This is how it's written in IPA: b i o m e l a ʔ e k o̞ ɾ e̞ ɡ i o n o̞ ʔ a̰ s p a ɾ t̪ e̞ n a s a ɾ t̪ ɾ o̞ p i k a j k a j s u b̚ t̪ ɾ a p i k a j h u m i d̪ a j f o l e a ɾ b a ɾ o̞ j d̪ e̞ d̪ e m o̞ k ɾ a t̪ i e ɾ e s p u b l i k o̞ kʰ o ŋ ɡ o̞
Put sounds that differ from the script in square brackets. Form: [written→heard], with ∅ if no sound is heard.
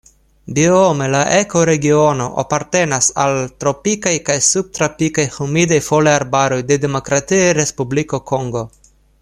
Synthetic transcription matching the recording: b i o m e l a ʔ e k o̞ ɾ e̞ ɡ i o n o̞ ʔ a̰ [s→∅] p a ɾ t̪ e̞ n a s a [ɾ→l] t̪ ɾ o̞ p i k a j k a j s u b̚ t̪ ɾ a p i k a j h u m i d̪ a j f o l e a ɾ b a ɾ o̞ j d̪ e̞ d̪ e m o̞ k ɾ a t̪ i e ɾ e s p u b l i k o̞ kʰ o ŋ ɡ o̞